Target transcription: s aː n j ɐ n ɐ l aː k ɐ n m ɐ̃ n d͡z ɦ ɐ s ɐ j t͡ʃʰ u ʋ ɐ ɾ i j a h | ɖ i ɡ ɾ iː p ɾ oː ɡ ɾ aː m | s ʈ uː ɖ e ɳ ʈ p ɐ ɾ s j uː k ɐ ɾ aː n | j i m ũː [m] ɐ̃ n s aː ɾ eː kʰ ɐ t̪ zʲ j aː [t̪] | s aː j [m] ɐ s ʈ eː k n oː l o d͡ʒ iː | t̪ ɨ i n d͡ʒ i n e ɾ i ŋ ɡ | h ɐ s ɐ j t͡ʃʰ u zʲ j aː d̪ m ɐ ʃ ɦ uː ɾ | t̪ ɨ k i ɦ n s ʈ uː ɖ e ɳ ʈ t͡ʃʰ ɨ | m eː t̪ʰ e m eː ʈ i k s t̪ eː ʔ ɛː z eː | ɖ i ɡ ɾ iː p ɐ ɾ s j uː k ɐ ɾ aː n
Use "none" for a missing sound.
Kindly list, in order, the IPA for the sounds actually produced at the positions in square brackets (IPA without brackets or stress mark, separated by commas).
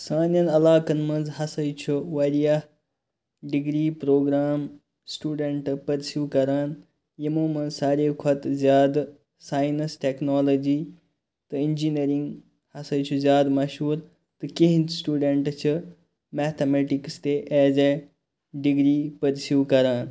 m, d̪, n